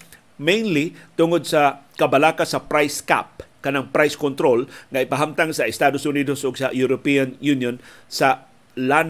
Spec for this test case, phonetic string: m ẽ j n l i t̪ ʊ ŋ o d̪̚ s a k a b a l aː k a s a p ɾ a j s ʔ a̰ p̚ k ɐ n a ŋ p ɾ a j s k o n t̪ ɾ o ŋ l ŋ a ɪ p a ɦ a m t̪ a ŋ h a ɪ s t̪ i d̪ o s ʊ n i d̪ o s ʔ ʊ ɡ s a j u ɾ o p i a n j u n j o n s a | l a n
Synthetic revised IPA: m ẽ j n l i t̪ ʊ ŋ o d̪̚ s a k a b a l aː k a s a p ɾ a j s k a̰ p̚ k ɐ n a ŋ p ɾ a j s k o n t̪ ɾ o l ŋ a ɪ p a ɦ a m t̪ a ŋ s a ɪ s t̪ a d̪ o s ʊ n i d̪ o s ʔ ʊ ɡ s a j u ɾ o p i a n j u n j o n s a | l a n